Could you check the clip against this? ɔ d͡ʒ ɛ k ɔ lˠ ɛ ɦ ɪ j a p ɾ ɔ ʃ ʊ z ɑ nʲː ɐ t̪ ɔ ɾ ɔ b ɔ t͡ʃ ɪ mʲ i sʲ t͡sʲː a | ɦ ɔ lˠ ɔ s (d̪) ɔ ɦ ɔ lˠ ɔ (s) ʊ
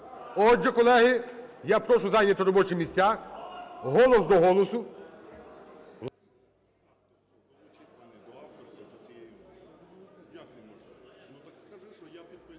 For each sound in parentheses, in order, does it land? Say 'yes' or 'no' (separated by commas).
yes, yes